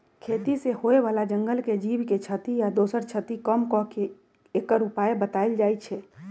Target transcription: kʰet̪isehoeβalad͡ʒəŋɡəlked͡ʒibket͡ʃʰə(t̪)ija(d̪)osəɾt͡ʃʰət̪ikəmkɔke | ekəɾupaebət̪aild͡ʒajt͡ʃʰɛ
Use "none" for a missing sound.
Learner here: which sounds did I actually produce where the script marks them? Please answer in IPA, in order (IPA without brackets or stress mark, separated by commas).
t̪, d̪